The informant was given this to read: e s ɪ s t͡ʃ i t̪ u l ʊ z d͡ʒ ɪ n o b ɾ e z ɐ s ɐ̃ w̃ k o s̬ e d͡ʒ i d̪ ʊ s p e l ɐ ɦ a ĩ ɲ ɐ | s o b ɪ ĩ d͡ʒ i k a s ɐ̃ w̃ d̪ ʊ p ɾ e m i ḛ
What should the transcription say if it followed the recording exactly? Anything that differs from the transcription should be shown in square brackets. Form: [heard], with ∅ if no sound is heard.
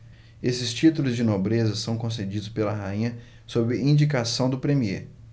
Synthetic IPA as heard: e s ɪ s t͡ʃ i t̪ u l ʊ z d͡ʒ ɪ n o b ɾ e z ɐ s ɐ̃ w̃ k [õ] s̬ e d͡ʒ i d̪ ʊ s p e l ɐ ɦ a ĩ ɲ ɐ | s o b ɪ ĩ d͡ʒ i k a s ɐ̃ w̃ d̪ ʊ p ɾ e m i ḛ